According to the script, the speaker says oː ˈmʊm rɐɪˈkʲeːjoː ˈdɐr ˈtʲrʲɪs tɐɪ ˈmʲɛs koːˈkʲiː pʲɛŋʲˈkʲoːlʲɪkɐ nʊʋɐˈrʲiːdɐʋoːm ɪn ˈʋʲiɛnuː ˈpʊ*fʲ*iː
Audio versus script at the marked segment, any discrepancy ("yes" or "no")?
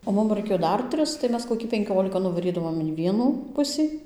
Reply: yes